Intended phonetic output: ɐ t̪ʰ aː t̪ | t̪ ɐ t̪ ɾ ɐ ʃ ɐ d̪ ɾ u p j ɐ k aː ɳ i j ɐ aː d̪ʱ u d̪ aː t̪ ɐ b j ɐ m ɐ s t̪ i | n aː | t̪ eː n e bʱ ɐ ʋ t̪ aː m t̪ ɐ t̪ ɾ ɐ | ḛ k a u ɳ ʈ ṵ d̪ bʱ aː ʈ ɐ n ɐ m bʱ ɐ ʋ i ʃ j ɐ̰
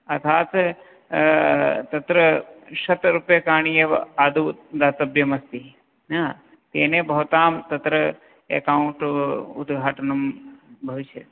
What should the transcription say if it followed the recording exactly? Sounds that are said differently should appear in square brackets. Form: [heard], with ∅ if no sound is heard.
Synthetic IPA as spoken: ɐ t̪ʰ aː t̪ | t̪ ɐ t̪ ɾ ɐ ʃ ɐ [t̪] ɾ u p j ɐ k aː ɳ i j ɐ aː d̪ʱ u d̪ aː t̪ ɐ b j ɐ m ɐ s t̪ i | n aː | t̪ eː n e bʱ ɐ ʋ t̪ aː m t̪ ɐ t̪ ɾ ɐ | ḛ k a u ɳ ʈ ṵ d̪ [ɡʱ] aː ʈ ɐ n ɐ m bʱ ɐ ʋ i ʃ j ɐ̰